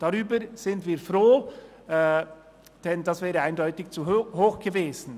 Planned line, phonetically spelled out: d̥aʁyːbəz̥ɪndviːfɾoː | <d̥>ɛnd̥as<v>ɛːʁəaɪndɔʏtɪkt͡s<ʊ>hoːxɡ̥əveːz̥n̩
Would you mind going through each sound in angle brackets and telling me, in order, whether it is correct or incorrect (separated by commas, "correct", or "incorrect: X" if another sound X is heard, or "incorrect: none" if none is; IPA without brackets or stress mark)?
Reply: correct, correct, incorrect: u